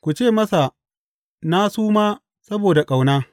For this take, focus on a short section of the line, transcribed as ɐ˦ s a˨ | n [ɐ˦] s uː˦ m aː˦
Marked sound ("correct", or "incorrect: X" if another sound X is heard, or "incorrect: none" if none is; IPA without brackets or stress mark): incorrect: a˦